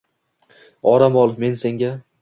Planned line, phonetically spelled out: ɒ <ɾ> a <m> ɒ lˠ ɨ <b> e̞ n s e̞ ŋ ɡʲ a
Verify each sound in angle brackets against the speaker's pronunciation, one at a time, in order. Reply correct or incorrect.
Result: correct, correct, incorrect: m

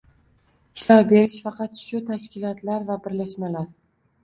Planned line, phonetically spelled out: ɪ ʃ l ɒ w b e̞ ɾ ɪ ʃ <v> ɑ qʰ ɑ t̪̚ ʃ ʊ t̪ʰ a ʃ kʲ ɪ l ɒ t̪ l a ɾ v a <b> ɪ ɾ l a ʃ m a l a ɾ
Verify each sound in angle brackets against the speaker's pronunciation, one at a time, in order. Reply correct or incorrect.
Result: incorrect: f, correct

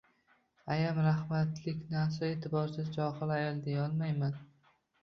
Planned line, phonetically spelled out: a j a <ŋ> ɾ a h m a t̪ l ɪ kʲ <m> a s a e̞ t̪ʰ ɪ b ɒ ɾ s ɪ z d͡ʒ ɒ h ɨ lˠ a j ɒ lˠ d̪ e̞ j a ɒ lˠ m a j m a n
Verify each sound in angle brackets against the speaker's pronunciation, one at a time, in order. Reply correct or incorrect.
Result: incorrect: m, incorrect: n

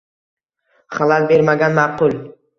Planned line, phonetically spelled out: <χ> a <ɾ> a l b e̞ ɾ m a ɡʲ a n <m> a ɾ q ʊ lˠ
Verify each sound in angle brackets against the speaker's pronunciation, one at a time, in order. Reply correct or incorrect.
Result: correct, incorrect: l, correct

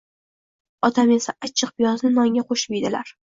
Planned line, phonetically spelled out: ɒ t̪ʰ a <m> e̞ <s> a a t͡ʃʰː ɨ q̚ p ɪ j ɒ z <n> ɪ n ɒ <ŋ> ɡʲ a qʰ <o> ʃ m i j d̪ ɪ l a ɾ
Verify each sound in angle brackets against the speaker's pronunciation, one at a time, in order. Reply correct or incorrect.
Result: correct, correct, correct, correct, correct

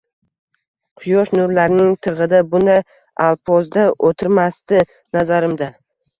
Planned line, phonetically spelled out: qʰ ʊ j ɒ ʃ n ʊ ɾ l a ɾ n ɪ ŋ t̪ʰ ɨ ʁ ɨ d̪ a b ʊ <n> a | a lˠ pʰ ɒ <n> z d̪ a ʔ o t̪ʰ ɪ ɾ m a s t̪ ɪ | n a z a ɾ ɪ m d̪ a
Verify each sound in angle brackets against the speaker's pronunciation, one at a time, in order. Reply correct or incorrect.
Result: correct, incorrect: none

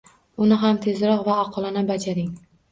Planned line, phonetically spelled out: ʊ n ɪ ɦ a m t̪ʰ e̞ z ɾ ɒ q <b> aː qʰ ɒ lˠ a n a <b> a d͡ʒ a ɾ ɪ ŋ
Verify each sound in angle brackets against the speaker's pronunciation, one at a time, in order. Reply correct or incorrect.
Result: incorrect: v, correct

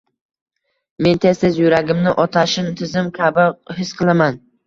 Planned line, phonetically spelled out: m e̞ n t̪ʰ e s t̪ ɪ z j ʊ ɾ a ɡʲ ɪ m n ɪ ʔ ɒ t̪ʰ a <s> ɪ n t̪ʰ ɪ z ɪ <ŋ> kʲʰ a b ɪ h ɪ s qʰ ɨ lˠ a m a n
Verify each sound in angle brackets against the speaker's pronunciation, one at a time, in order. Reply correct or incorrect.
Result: incorrect: ʃ, incorrect: m

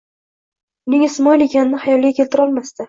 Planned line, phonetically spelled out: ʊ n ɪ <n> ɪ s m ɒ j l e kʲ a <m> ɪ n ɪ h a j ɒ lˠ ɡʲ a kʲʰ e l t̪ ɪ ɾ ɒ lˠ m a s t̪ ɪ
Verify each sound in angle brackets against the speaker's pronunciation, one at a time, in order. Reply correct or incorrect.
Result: incorrect: ŋ, incorrect: n

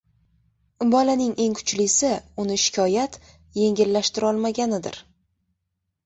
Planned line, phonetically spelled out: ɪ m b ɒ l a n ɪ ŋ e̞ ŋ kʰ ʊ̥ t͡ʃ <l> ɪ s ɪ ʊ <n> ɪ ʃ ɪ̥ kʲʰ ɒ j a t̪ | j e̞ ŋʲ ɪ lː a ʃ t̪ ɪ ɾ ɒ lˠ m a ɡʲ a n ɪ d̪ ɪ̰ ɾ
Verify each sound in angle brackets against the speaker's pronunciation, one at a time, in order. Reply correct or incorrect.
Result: correct, correct

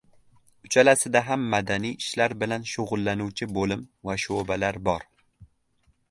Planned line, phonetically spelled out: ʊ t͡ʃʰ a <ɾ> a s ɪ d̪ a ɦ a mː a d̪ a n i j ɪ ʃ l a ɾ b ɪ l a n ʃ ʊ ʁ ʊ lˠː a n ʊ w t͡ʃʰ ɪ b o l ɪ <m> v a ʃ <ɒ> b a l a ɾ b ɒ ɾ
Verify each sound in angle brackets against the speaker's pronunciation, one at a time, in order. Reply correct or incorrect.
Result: incorrect: l, correct, incorrect: o

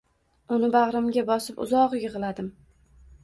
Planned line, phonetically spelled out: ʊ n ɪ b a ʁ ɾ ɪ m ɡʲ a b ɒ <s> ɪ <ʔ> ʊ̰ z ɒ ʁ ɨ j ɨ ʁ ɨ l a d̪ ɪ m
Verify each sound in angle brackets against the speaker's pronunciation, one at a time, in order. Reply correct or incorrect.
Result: correct, incorrect: p

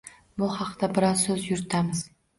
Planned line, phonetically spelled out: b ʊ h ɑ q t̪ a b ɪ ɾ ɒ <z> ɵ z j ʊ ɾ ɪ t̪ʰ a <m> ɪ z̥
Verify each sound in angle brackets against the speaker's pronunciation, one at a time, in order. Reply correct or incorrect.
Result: incorrect: s, correct

